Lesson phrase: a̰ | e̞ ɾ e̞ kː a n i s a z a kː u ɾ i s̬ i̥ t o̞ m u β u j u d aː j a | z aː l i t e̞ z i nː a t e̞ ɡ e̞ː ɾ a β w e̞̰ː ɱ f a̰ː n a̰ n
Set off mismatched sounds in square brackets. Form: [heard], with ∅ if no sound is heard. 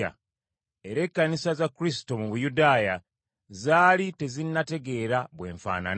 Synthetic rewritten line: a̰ | e̞ ɾ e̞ kː a n i s a z a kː u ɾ i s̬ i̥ t o̞ m u β u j u d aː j a | z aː l i t e̞ z i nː a t e̞ ɡ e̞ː ɾ a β w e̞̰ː ɱ f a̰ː n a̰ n